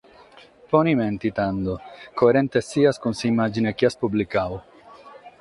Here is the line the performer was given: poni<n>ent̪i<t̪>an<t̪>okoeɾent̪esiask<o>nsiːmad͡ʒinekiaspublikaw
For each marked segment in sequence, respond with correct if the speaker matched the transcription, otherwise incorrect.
incorrect, correct, incorrect, incorrect

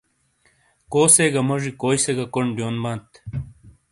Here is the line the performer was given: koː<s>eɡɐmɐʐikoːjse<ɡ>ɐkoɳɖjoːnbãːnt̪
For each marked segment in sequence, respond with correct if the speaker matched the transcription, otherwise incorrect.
correct, correct

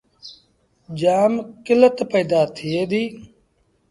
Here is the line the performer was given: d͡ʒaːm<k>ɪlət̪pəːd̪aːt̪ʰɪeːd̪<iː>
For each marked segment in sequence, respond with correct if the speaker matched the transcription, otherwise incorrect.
correct, correct

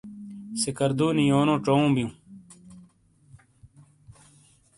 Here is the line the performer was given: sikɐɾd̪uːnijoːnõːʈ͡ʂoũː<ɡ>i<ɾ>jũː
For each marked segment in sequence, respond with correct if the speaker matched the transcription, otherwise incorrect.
incorrect, incorrect

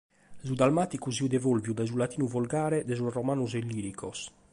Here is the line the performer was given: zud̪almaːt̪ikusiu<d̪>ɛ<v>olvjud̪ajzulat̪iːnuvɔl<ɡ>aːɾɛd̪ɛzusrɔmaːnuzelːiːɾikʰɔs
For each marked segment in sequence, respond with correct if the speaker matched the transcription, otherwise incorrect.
correct, correct, correct

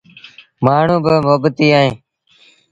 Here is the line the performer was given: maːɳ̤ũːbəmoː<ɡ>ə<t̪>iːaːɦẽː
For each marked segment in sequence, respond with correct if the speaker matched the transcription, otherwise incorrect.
incorrect, correct

